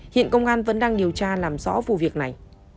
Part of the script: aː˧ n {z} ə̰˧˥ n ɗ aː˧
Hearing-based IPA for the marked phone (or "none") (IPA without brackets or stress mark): v